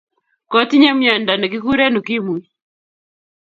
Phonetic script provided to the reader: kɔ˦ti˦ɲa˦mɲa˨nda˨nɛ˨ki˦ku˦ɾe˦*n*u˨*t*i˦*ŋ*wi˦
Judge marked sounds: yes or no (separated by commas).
yes, no, no